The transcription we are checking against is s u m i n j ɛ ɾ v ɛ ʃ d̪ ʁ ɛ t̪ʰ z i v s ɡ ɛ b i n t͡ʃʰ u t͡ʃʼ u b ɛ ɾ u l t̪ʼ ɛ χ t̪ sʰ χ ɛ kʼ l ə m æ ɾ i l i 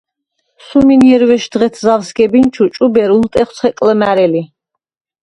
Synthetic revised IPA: s u m i n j ɛ ɾ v ɛ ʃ d̪ ʁ ɛ t̪ʰ z a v s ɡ ɛ b i n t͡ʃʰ u t͡ʃʼ u b ɛ ɾ u l t̪ʼ ɛ χ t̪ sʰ χ ɛ kʼ l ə m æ ɾ ɛ l i